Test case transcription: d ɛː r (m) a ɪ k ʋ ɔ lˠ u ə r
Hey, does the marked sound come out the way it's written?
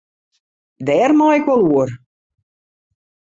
yes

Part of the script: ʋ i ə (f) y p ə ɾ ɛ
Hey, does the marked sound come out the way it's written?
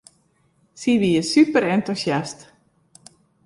no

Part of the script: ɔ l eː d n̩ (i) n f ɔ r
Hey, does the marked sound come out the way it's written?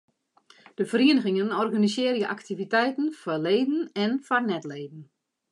no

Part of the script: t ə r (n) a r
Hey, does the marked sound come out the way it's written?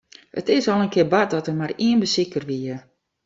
no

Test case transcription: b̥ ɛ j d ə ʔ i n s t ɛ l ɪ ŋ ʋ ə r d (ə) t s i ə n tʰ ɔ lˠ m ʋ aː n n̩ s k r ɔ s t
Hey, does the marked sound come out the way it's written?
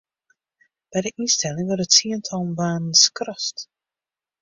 yes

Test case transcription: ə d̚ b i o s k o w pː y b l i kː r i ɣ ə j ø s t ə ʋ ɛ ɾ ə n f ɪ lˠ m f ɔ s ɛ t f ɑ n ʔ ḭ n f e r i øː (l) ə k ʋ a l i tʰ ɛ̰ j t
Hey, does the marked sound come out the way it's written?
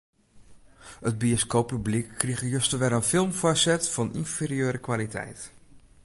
no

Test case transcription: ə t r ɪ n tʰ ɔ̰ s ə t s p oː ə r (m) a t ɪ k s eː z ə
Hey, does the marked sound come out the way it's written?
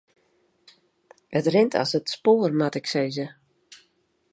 yes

